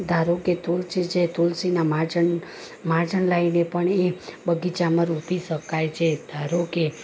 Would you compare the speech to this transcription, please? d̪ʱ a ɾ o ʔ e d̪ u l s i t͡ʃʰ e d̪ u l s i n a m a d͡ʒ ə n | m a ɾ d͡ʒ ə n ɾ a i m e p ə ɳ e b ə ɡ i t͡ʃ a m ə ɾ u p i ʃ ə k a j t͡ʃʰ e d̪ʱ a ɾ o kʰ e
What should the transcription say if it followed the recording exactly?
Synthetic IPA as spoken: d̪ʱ a ɾ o k e t̪ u l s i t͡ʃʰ e t̪ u l s i n a m a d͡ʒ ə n | m a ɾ d͡ʒ ə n l a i n e p ə ɳ e b ə ɡ i t͡ʃ a m ə ɾ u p i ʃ ə k a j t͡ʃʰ e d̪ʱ a ɾ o k e